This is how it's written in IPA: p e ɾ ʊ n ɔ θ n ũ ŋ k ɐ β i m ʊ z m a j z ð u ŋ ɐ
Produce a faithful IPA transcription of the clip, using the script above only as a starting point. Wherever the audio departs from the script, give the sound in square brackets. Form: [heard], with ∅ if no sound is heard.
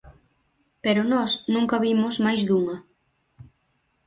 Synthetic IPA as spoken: p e ɾ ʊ n ɔ [s] n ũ ŋ k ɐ β i m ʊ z m a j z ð u ŋ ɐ